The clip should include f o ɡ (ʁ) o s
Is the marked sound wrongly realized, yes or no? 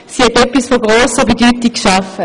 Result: no